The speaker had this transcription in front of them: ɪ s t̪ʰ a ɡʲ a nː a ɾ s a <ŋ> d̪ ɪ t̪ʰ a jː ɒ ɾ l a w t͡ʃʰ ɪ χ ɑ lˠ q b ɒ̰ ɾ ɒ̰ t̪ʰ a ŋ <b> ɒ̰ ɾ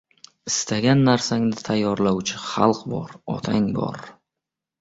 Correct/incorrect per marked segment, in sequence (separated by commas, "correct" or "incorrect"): correct, correct